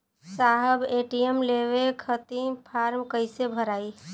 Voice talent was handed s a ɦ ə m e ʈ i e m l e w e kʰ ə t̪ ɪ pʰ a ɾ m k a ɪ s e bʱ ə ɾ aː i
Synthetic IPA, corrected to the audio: s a ɦ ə b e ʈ i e m l e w e kʰ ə t̪ i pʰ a ɾ m k ə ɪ s e bʱ ə ɾ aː i